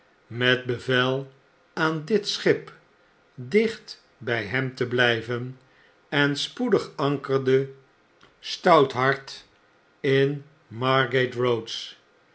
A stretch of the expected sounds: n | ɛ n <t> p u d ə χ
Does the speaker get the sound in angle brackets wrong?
yes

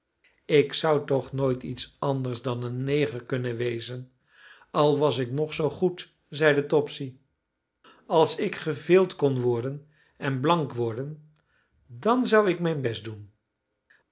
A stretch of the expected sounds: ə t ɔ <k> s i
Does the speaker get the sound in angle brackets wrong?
yes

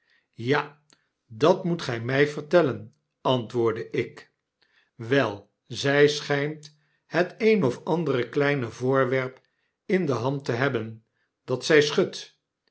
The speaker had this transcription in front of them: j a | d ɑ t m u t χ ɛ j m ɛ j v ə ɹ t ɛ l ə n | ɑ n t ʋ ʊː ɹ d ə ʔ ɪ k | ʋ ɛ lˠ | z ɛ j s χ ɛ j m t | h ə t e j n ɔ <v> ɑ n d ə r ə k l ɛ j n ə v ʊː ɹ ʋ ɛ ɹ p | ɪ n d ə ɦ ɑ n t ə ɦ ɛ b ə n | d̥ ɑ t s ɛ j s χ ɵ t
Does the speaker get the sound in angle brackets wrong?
yes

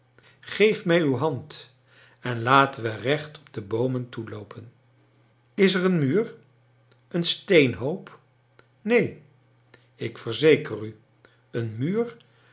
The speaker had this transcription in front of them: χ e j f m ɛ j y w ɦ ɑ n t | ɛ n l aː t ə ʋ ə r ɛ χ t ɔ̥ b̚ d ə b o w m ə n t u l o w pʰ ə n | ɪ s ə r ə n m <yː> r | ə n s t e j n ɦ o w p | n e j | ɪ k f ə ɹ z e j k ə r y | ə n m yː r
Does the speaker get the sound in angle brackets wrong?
no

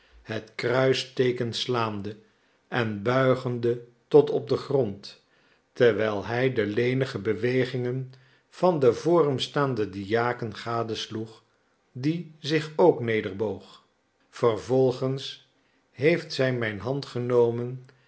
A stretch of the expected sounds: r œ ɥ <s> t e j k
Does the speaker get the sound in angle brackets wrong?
no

